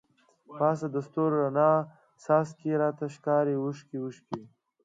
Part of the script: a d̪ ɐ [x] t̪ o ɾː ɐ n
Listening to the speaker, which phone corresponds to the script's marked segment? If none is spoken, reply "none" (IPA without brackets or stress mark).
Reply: s